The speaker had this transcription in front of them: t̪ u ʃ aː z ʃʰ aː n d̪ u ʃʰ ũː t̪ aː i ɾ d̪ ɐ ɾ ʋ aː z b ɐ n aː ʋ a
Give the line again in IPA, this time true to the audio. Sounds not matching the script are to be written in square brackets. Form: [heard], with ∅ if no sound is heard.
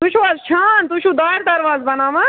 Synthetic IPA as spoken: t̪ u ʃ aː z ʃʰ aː n [t̪] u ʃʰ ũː [d̪] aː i ɾ d̪ ɐ ɾ ʋ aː z b ɐ n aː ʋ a